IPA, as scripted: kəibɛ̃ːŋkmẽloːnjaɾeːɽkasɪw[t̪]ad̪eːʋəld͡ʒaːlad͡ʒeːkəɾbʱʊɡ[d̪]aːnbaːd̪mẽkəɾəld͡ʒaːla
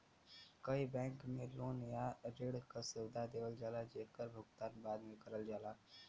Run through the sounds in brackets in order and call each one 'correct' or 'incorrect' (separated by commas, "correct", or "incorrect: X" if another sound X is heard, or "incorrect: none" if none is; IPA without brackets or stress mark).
incorrect: d̪, incorrect: t̪